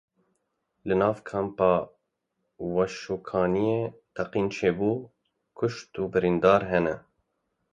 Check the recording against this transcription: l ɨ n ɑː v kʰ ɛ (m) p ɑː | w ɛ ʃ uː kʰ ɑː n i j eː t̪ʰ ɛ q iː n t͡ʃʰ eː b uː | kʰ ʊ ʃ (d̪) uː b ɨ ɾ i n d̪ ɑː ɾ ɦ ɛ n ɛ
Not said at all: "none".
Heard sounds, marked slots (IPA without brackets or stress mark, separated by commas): m, t̪